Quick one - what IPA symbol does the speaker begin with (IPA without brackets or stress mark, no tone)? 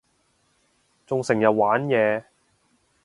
t͡s